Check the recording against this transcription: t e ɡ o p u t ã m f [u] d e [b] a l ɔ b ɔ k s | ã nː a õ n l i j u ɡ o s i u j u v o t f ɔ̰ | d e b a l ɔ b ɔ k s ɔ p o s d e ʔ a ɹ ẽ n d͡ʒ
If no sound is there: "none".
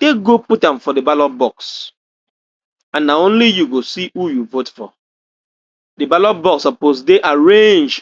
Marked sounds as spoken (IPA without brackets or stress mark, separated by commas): ɔ, b